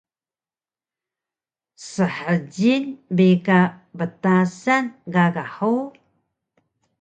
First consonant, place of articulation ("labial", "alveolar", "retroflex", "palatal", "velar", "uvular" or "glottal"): alveolar